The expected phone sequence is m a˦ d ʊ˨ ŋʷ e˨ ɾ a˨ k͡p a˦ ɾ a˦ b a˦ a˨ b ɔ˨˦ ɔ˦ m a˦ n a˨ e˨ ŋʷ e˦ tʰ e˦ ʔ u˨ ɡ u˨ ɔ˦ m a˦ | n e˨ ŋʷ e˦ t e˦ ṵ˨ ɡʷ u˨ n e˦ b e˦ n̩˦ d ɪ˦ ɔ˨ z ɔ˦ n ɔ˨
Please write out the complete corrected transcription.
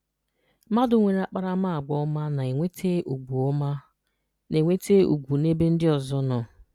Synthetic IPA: m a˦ d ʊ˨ ŋʷ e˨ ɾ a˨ k͡p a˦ ɾ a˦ m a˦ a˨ ɡ͡b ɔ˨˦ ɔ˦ m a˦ n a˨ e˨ ŋʷ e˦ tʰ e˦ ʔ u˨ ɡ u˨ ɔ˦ m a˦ | n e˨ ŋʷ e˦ t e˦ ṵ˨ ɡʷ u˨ n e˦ b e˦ n̩˦ d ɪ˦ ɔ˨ z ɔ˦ n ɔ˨